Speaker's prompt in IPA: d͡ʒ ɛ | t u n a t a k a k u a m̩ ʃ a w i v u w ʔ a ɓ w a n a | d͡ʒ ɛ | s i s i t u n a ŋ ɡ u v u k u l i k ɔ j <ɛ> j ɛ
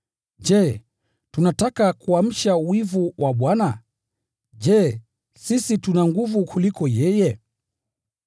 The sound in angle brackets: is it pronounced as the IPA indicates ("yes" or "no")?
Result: yes